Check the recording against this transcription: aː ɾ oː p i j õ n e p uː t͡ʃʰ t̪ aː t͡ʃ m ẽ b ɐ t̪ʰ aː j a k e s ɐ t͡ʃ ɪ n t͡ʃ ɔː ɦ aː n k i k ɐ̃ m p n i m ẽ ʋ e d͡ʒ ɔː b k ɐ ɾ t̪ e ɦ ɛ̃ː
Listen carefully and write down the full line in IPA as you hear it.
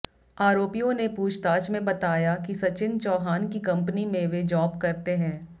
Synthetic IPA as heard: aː ɾ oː p i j õ n e p uː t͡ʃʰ t̪ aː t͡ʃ m ẽ b ɐ t̪ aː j a k i s ɐ t͡ʃ ɪ n t͡ʃ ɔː ɦ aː n k i k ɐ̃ m p n i m ẽ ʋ e d͡ʒ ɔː b k ɐ ɾ t̪ e ɦ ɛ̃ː